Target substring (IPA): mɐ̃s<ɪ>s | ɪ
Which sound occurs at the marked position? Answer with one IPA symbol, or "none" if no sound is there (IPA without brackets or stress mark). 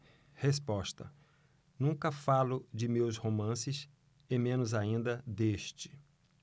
ɪ